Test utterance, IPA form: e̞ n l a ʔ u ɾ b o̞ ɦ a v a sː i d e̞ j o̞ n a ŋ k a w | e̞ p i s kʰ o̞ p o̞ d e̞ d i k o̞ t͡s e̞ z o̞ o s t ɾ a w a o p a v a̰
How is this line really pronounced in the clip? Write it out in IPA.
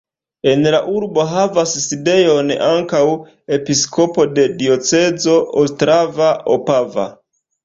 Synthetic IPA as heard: e̞ n l a ʔ u ɾ b o̞ ɦ a v a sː i d e̞ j o̞ n a ŋ k a w | e̞ p i s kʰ o̞ p o̞ d e̞ d i o̞ t͡s e̞ z o̞ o s t ɾ a v a o p a v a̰

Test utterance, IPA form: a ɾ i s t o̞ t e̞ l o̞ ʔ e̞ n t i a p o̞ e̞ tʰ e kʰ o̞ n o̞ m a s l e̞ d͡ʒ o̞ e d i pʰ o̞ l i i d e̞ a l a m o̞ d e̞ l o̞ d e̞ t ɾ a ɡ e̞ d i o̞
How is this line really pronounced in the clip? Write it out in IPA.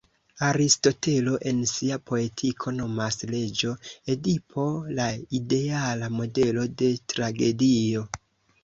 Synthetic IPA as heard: a ɾ i s t o̞ t e̞ l o̞ ʔ e̞ n s i a p o̞ e̞ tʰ i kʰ o̞ n o̞ m a s l e̞ d͡ʒ o̞ e d i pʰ o̞ l a i d e̞ a l a m o̞ d e̞ l o̞ d e̞ t ɾ a ɡ e̞ d i o̞

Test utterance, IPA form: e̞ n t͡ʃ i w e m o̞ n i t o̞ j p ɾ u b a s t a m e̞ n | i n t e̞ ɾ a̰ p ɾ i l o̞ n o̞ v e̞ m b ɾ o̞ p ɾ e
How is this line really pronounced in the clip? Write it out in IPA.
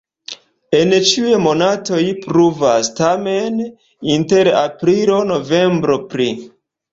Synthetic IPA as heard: e̞ n t͡ʃ i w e m o̞ n a t o̞ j p ɾ u v a s t a m e̞ n | i n t e̞ ɾ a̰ p ɾ i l o̞ n o̞ v e̞ m b ɾ o̞ p ɾ i

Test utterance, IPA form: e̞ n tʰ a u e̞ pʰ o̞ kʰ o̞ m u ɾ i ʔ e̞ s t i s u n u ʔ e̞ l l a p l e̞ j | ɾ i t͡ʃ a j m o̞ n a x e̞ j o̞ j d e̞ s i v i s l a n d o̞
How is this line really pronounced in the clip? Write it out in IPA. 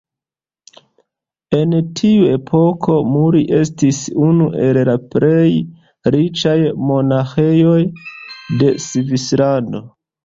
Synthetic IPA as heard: e̞ n tʰ i u e̞ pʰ o̞ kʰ o̞ m u ɾ i ʔ e̞ s t i s u n u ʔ e̞ l l a p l e̞ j | ɾ i t͡ʃ a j m o̞ n a x e̞ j o̞ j d e̞ s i v i s l a n d o̞

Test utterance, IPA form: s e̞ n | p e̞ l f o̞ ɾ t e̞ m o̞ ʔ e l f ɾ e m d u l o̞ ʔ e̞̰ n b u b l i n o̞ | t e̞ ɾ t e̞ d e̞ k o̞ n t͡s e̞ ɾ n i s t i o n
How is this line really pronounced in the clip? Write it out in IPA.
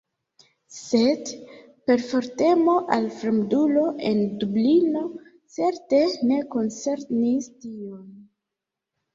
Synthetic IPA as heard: s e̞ d | p e̞ ɾ f o̞ ɾ t e̞ m o̞ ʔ a l f ɾ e m d u l o̞ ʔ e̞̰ n d u b l i n o̞ | t͡s e̞ ɾ t e̞ n e̞ k o̞ n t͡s e̞ ɾ n i s t i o n

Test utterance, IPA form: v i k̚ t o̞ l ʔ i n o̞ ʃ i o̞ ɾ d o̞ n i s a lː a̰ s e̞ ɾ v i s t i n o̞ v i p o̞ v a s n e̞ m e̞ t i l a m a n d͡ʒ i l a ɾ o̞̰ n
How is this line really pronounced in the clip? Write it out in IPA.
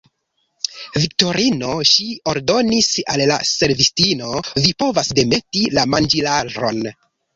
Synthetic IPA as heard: v i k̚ t o̞ ɾ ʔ i n o̞ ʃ i o̞ ɾ d o̞ n i s a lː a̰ s e̞ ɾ v i s t i n o̞ v i p o̞ v a s d e̞ m e̞ t i l a m a n d͡ʒ i l a ɾ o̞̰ n

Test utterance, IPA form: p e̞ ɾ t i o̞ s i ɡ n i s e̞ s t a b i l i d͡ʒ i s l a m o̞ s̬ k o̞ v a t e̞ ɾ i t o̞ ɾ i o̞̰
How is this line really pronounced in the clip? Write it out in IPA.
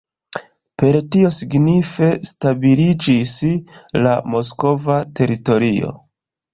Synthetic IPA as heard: p e̞ ɾ t i o̞ s i ɡ n i f e̞ s t a b i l i d͡ʒ i s l a m o̞ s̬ k o̞ v a t e̞ ɾ i t o̞ ɾ i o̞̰

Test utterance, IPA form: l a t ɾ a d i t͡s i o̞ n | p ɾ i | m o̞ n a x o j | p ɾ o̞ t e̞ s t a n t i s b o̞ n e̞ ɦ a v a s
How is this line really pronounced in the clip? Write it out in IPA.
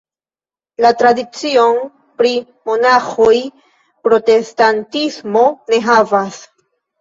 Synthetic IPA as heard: l a t ɾ a d i t͡s i o̞ n | p ɾ i | m o̞ n a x o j | p ɾ o̞ t e̞ s t a n t i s m o̞ n e̞ ɦ a v a s

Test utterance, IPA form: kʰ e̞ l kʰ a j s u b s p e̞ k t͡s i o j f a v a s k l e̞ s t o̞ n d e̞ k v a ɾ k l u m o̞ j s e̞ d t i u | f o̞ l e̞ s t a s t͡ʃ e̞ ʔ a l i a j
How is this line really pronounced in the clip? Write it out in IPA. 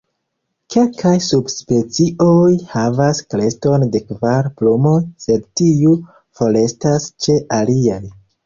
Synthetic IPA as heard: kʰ e̞ l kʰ a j s u b s p e̞ t͡s i o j h a v a s k l e̞ s t o̞ n d e̞ k v a ɾ p l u m o̞ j s e̞ d t i u | f o̞ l e̞ s t a s t͡ʃ e̞ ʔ a l i a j

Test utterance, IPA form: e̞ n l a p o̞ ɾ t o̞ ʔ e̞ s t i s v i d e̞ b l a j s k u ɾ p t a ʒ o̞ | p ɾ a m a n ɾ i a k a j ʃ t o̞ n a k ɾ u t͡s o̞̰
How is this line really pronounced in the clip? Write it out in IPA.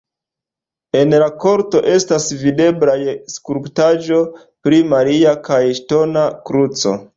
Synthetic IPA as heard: e̞ n l a k o̞ ɾ t o̞ ʔ e̞ s t a s v i d e̞ b l a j s k u ɾ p t a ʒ o̞ | p ɾ i m a ɾ i a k a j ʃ t o̞ n a k ɾ u t͡s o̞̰

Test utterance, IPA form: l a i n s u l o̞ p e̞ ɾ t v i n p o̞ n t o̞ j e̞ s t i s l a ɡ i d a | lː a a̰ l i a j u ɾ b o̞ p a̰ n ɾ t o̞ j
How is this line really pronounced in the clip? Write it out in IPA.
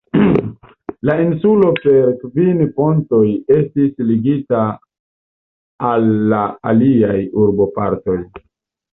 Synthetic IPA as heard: l a i n s u l o̞ p e̞ ɾ k v i n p o̞ n t o̞ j e̞ s t i s l i ɡ i t a | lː a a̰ l i a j u ɾ b o̞ p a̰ ɾ t o̞ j

